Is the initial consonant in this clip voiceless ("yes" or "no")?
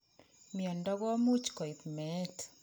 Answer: no